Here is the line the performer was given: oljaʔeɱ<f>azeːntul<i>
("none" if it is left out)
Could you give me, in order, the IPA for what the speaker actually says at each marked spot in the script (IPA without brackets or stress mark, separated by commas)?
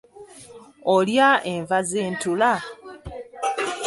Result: v, a